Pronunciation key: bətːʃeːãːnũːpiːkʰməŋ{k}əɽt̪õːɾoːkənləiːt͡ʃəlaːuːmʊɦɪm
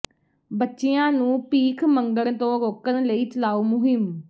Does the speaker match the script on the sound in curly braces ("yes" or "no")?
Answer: no